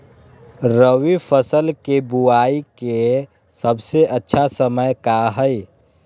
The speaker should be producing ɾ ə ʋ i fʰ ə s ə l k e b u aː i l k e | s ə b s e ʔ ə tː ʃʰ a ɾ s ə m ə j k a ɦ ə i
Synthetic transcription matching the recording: ɾ ə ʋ i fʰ ə s ə l k e b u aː i k e | s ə b s e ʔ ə tː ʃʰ a s ə m ə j k a ɦ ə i